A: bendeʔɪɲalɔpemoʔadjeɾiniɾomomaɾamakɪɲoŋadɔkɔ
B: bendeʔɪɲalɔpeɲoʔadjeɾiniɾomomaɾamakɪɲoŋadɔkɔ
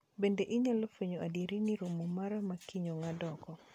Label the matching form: B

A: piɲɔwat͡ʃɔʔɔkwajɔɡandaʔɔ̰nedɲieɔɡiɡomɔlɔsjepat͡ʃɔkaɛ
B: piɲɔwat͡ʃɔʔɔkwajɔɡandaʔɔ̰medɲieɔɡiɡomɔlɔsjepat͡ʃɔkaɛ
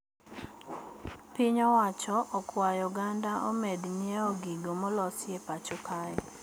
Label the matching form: B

